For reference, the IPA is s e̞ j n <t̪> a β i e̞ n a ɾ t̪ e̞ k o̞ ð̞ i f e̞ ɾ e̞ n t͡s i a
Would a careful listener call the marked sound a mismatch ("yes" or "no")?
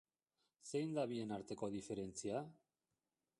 yes